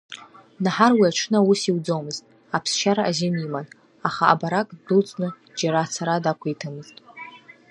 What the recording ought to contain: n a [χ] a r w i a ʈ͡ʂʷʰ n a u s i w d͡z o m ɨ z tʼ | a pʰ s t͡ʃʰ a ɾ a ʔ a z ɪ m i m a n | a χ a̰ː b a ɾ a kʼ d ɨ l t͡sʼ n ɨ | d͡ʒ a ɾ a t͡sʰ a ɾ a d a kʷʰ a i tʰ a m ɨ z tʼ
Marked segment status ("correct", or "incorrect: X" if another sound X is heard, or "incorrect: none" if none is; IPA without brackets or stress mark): incorrect: ħ